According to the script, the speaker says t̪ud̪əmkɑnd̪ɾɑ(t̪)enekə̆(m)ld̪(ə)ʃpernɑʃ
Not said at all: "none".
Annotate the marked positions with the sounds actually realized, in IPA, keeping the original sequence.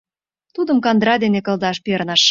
d̪, none, ɑ

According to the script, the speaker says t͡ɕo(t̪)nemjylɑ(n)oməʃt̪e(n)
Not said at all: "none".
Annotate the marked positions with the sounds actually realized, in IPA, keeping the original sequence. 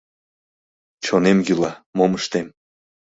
none, m, m

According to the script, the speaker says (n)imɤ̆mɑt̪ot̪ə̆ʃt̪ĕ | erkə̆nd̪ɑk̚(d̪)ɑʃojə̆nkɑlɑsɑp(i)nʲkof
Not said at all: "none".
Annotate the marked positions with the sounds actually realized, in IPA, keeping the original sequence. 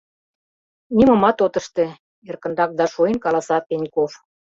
n, d̪, e

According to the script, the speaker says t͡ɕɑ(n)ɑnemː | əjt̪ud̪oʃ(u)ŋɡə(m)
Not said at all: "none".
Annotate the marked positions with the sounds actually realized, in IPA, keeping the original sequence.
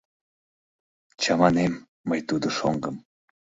m, o, m

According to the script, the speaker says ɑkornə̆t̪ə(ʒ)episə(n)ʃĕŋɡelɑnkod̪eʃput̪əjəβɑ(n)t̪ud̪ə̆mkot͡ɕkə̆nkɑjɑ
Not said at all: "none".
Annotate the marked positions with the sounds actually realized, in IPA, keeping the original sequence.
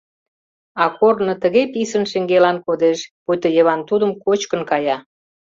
ɣ, n, n

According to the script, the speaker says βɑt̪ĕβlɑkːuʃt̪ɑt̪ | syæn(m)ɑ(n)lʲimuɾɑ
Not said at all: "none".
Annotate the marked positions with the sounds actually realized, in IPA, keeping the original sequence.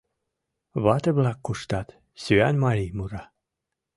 m, none

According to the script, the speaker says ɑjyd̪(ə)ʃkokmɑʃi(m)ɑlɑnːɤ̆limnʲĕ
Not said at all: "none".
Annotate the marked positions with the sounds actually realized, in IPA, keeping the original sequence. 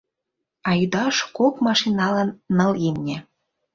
ɑ, n

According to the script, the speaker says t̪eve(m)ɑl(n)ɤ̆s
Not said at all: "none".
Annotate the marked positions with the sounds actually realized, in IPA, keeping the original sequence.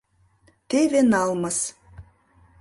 n, m

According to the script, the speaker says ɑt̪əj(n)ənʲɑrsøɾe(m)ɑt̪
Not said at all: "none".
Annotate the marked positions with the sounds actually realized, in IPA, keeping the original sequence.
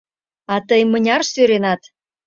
m, n

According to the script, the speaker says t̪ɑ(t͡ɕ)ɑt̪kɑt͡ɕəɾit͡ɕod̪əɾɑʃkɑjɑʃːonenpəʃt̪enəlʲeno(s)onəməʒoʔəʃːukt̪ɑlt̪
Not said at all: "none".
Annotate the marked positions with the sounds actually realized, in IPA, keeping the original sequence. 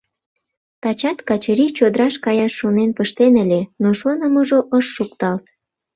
t͡ɕ, ʃ

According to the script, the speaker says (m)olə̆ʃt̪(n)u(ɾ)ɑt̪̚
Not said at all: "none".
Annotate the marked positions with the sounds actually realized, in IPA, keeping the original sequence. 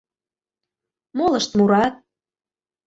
m, m, ɾ

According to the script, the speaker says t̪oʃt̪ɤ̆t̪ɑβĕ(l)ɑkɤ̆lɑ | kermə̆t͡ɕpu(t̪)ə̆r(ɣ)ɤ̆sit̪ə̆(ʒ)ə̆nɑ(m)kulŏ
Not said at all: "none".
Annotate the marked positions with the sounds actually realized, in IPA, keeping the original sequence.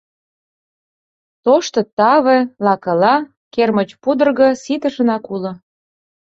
l, d̪, ɣ, ʃ, none

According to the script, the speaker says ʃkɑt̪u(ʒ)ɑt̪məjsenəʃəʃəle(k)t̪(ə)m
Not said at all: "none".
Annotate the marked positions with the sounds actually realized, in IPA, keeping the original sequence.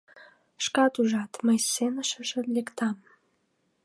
ʒ, k, ɑ

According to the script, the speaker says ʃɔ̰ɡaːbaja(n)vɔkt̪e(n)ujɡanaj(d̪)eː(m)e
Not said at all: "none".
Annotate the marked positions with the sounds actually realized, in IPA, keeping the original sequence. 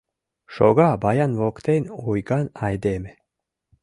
n, n, d̪, m

